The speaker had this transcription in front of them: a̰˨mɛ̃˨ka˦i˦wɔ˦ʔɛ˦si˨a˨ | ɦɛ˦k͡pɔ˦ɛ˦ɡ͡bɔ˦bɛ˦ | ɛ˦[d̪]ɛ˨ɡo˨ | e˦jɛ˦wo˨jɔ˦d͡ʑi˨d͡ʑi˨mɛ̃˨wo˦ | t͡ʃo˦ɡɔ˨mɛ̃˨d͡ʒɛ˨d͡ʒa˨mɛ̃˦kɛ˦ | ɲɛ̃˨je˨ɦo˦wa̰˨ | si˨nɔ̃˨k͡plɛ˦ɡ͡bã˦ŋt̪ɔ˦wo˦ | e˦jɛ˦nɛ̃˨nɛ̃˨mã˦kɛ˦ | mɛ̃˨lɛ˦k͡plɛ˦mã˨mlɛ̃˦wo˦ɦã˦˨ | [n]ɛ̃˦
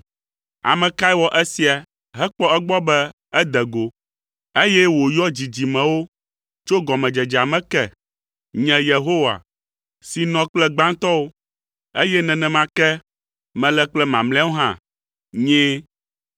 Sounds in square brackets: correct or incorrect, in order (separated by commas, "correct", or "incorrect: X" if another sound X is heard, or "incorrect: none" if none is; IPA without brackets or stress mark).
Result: correct, incorrect: ɲ